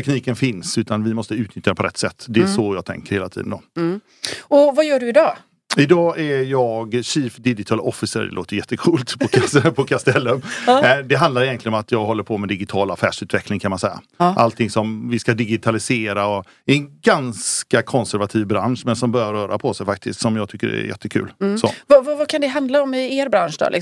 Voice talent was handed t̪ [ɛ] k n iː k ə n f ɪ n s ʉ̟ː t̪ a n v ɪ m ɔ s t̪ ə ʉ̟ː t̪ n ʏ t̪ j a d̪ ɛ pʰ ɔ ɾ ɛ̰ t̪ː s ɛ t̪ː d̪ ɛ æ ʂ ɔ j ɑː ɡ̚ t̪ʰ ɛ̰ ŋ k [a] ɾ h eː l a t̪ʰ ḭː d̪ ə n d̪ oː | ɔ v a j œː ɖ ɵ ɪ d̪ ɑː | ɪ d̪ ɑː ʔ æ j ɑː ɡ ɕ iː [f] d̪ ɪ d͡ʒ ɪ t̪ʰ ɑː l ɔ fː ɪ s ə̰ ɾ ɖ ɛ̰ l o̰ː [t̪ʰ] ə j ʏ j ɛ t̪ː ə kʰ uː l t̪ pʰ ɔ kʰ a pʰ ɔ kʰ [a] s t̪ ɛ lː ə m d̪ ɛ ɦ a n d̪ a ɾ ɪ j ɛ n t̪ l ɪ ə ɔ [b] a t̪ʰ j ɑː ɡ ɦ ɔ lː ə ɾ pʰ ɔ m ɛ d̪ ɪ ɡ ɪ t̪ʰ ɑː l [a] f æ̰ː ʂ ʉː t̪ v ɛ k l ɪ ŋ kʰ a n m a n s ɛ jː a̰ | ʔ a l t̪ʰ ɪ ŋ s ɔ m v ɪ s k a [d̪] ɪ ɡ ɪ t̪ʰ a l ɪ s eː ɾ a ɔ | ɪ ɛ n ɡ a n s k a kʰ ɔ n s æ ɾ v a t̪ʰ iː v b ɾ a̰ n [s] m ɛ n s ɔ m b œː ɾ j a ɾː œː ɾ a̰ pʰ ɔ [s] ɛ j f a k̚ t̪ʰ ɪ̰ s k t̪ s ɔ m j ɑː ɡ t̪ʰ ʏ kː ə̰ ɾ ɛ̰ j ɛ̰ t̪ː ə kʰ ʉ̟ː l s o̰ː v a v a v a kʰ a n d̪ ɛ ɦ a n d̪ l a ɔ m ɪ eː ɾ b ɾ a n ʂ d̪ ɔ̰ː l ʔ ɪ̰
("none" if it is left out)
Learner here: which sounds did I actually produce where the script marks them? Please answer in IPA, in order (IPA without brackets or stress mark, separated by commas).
ɛ, ə, f, t̪, a, m, a, d̪, ʂ, s